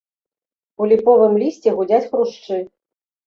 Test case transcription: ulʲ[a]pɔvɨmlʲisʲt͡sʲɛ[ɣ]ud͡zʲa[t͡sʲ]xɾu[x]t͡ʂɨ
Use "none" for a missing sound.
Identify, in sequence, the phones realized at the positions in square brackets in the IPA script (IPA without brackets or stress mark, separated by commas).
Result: i, ɣ, t͡sʲ, ʂ